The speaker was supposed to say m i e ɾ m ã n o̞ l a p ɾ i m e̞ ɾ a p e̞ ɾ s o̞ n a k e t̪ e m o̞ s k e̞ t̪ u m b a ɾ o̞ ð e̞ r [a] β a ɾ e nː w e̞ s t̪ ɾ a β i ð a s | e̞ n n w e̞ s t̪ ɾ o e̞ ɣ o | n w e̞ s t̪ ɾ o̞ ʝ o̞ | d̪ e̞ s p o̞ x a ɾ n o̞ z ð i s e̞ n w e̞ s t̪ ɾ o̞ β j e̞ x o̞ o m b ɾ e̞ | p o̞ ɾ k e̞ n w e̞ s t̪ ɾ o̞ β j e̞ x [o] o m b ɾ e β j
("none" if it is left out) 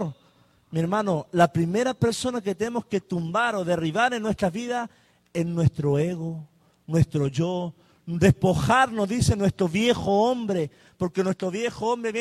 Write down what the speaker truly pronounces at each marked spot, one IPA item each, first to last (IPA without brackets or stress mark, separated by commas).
i, o